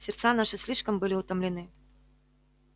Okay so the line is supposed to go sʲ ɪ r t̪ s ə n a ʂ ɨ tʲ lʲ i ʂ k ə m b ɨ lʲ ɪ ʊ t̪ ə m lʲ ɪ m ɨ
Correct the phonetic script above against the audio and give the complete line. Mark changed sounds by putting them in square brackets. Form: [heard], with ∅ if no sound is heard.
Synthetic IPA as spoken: sʲ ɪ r t̪ s [a] n a ʂ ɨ [sʲ] lʲ i ʂ k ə m b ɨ lʲ ɪ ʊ t̪ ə m lʲ ɪ [n] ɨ